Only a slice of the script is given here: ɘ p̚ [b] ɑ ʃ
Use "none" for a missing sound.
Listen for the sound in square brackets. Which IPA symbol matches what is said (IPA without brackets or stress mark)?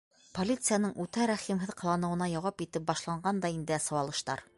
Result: b